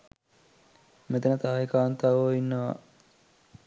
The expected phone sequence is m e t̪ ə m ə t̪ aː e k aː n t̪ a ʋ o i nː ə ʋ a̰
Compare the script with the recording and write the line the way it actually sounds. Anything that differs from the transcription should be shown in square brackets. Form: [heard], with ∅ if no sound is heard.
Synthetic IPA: m e t̪ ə [n] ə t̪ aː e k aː n t̪ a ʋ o i nː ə ʋ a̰